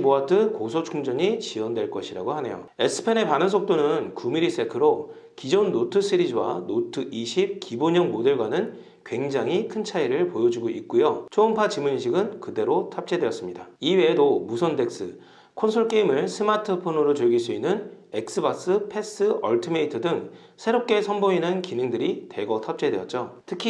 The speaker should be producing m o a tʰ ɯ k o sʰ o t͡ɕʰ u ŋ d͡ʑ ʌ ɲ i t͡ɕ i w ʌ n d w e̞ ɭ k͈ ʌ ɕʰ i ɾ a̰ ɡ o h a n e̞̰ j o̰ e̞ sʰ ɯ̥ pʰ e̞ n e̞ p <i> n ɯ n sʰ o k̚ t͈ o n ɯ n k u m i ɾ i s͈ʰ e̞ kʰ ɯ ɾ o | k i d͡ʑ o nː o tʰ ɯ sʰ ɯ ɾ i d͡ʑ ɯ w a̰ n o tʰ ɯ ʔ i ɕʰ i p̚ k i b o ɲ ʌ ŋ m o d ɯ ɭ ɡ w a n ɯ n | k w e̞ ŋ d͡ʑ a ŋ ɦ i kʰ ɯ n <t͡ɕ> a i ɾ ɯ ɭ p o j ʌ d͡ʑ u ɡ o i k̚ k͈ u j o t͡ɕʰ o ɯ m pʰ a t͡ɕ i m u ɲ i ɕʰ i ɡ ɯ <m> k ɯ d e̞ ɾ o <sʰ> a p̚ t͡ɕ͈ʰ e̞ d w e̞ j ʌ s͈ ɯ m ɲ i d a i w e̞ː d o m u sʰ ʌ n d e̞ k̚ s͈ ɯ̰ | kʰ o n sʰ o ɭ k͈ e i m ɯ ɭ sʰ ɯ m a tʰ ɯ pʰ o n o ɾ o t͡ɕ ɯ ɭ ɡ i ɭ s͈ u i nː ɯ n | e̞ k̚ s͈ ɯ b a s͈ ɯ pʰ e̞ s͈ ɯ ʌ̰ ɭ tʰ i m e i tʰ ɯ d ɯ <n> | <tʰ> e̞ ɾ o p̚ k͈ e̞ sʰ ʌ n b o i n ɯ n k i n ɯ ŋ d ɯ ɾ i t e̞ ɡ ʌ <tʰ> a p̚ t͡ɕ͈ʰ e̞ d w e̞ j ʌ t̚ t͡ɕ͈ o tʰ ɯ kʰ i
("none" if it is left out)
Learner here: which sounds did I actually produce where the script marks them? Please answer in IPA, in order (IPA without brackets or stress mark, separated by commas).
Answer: a, t͡ɕʰ, n, tʰ, ŋ, sʰ, tʰ